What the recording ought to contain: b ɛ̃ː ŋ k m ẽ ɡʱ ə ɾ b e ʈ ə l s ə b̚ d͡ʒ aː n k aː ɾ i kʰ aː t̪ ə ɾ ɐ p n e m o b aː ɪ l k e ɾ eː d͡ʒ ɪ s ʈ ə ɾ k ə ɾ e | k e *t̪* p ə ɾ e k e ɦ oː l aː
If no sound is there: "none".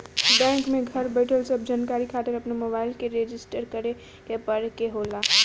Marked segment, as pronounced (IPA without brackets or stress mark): none